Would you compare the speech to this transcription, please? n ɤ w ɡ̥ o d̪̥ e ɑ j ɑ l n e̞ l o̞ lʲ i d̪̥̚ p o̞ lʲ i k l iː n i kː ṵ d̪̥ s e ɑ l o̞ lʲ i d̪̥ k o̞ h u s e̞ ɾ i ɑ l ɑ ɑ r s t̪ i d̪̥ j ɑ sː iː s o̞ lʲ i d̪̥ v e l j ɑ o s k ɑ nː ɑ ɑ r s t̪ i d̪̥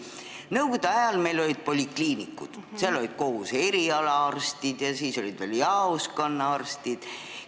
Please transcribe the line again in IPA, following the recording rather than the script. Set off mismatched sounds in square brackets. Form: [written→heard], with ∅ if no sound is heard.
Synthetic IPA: n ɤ w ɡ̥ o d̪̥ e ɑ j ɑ l [n→m] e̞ l o̞ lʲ i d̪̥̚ p o̞ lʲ i k l iː n i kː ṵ d̪̥ s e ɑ l o̞ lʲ i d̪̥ k o̞ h u s e̞ ɾ i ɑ l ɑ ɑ r s t̪ i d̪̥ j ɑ [sː→s] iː s o̞ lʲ i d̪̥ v e l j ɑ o s k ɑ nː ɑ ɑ r s t̪ i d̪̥

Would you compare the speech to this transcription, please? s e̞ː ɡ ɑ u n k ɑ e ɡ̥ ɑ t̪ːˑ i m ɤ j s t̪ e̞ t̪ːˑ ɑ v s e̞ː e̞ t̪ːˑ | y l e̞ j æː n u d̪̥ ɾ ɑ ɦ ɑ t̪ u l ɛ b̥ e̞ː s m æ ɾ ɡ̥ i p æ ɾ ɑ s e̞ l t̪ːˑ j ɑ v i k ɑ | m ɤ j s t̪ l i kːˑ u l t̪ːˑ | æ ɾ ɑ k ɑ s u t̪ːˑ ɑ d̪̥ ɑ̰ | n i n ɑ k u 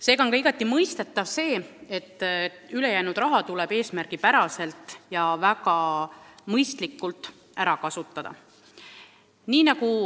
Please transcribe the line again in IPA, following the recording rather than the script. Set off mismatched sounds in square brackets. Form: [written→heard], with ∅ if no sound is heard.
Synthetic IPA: s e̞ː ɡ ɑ [u→o] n k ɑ [e→i] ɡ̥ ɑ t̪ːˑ i m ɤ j s t̪ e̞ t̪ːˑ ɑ v s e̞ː e̞ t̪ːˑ | y l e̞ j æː n u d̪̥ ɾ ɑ ɦ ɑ t̪ u l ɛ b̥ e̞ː s m æ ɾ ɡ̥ i p æ ɾ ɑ s e̞ l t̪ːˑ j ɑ v [i→æ] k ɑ | m ɤ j s t̪ l i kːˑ u l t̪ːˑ | æ ɾ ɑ k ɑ s u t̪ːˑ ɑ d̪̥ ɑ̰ | n [i→iː] n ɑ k u

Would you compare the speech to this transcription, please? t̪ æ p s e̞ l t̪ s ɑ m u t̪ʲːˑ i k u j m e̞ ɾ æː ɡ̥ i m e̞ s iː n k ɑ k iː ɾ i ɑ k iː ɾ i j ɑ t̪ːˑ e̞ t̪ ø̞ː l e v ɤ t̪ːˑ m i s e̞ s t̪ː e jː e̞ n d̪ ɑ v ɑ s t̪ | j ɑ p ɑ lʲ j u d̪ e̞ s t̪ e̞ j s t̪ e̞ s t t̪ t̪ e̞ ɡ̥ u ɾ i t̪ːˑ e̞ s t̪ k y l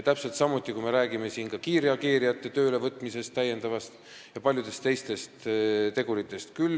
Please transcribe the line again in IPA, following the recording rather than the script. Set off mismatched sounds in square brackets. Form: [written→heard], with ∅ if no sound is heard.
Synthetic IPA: t̪ æ p s e̞ l t̪ s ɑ m u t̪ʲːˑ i k u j m e̞ ɾ æː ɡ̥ i m e̞ s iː n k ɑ k iː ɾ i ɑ k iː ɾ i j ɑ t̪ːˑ e̞ t̪ ø̞ː l e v ɤ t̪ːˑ m i s e̞ s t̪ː [e→æ] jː e̞ n d̪ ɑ v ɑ s t̪ | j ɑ p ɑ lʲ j u d̪ e̞ s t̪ e̞ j s t̪ e̞ s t t̪ t̪ e̞ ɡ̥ u ɾ i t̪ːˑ e̞ s t̪ k y l

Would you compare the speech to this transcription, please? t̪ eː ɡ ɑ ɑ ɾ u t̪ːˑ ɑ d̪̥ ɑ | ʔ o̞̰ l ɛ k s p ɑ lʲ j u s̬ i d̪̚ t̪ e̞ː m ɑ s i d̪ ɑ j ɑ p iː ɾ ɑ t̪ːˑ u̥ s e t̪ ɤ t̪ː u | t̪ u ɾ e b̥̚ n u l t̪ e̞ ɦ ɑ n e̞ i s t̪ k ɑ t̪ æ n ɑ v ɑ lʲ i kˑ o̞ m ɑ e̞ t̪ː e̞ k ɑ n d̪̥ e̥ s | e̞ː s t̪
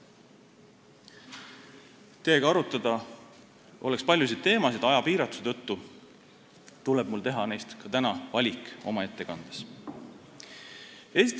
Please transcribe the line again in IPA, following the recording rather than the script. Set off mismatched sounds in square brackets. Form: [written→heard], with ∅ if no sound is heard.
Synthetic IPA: t̪ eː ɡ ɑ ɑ ɾ u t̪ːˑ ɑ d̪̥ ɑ | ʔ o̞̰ l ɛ k s p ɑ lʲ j u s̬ i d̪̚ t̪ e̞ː m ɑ s i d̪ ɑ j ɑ p iː ɾ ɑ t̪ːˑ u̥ s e t̪ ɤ t̪ː u | t̪ u [ɾ→l] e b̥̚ [n→m] u l t̪ e̞ ɦ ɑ n e̞ [i→j] s t̪ k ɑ t̪ æ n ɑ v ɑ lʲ i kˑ o̞ m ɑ e̞ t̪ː e̞ k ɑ n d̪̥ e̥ s | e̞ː s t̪

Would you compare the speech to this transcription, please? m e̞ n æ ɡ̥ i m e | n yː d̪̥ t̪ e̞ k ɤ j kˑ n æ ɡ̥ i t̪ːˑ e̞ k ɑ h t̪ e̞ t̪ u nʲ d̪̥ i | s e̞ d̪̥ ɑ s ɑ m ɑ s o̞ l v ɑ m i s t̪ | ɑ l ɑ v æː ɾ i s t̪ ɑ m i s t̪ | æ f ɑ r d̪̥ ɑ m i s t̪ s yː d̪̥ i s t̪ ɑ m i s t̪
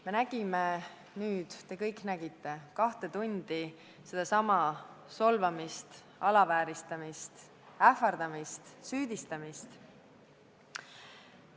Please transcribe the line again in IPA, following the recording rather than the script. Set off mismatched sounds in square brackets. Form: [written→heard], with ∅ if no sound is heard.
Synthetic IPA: m e̞ n æ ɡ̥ i m e | n yː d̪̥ t̪ e̞ k ɤ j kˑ n æ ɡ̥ i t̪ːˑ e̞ k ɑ h t̪ e̞ t̪ u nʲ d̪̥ i | s e̞ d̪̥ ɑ s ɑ m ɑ s o̞ l v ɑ m i s t̪ | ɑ l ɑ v æː ɾ i s t̪ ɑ m i s t̪ | æ f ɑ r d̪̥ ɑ m i s t̪ s yː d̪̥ i s t̪ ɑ m i s t̪

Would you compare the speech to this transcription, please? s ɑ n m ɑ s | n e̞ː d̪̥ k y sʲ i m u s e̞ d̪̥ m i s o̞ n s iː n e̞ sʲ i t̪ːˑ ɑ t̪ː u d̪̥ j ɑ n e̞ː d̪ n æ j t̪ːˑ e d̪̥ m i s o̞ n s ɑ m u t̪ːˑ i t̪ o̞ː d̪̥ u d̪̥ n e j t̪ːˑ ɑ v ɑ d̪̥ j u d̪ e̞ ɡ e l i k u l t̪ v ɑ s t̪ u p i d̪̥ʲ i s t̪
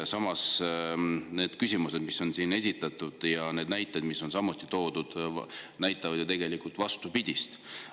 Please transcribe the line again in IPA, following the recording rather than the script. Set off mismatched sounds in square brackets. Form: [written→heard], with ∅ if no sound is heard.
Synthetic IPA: s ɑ [n→∅] m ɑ s | n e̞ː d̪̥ k y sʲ i m u s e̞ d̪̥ m i s o̞ n s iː n e̞ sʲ i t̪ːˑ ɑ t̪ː u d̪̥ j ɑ n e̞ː d̪ n æ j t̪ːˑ e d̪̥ m i s o̞ n s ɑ m u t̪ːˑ i t̪ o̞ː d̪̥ u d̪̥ n [e→æ] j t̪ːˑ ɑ v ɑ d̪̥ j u [d̪→t̪] e̞ ɡ e l i k u l t̪ v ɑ s t̪ u p i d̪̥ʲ i s t̪

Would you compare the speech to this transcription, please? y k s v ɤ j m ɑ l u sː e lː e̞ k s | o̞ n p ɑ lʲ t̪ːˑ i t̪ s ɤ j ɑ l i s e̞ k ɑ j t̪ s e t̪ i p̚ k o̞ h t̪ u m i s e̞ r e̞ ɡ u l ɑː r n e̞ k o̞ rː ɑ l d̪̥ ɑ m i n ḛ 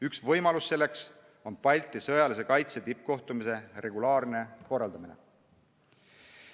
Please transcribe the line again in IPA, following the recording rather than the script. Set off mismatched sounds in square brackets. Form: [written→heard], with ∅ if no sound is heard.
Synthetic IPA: y k s v ɤ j m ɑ l u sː e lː e̞ k s | o̞ n p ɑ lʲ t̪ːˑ i [t̪→∅] s ɤ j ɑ l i s e̞ k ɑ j t̪ s e t̪ i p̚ k o̞ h t̪ u m i s e̞ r e̞ ɡ u l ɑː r n e̞ k o̞ rː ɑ l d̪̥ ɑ m i n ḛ

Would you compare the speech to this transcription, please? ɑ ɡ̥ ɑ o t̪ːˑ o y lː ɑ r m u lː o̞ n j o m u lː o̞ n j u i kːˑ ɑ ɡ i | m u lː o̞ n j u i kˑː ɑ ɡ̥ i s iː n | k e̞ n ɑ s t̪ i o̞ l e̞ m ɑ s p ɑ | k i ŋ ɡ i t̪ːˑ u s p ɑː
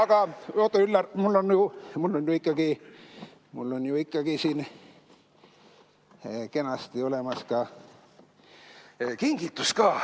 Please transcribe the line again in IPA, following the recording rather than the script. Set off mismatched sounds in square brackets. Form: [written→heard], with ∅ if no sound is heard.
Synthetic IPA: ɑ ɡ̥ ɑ o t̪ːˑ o y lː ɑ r m u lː o̞ n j [o→u] m u lː o̞ n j u i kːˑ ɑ ɡ i | m u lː o̞ n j u i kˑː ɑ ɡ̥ i s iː n | k e̞ n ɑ s t̪ i o̞ l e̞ m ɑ s [p→k] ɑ | k i ŋ ɡ i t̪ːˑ u s [p→k] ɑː

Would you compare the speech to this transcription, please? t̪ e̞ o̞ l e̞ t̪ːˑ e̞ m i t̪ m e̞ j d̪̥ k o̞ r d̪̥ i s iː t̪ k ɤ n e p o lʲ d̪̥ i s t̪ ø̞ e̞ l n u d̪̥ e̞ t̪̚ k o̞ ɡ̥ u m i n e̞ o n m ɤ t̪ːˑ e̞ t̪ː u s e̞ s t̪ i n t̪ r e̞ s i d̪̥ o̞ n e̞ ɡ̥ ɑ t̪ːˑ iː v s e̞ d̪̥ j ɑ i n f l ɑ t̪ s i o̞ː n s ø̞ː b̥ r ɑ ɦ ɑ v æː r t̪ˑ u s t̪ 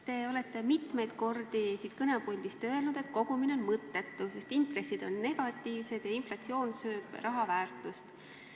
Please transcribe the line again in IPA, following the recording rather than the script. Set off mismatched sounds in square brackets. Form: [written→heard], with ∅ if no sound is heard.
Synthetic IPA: t̪ e̞ o̞ l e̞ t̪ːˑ e̞ m i t̪ m e̞ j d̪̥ k o̞ r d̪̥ i s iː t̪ k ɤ n e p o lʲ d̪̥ i s t̪ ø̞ e̞ l n u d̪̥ e̞ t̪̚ k o̞ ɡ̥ u m i n e̞ o n m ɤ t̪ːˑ e̞ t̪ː u s e̞ s t̪ i n t̪ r e̞ s i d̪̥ o̞ [n→nː] e̞ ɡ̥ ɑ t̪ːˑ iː v s e̞ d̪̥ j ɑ i n f l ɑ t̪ s i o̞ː n s ø̞ː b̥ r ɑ ɦ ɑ v æː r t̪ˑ u s t̪

